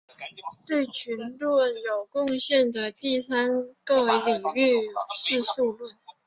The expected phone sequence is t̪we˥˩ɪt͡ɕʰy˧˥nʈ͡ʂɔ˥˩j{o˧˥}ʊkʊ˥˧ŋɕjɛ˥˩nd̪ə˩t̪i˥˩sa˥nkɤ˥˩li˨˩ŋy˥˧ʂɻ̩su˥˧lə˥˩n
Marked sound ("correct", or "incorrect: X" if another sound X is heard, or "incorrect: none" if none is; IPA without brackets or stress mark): incorrect: o˨˩